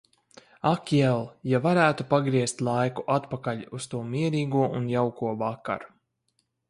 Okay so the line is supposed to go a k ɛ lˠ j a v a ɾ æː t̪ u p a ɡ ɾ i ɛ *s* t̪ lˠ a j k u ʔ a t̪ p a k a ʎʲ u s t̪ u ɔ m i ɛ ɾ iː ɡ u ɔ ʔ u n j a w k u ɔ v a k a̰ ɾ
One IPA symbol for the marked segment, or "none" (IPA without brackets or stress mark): s